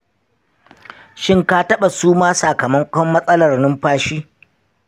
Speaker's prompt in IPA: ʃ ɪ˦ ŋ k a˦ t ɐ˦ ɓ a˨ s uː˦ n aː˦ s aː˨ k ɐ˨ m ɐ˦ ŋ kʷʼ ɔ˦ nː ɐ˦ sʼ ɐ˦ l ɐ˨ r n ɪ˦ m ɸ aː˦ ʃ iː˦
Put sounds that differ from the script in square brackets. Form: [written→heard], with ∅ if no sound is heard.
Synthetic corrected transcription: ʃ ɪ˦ ŋ k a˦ t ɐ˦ ɓ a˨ s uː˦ [n→m] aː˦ s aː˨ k ɐ˨ m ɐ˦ ŋ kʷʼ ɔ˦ [nː→mː] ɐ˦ sʼ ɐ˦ l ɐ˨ r n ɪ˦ m ɸ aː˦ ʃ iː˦